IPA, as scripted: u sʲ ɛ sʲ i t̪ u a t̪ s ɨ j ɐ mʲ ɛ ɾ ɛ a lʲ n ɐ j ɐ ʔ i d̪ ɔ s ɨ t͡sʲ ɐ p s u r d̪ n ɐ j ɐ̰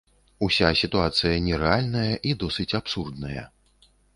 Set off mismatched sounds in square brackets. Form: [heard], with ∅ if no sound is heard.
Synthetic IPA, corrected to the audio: u sʲ [a] sʲ i t̪ u a t̪ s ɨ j ɐ [nʲ] ɛ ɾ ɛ a lʲ n ɐ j ɐ ʔ i d̪ ɔ s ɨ t͡sʲ [a] p s u r d̪ n ɐ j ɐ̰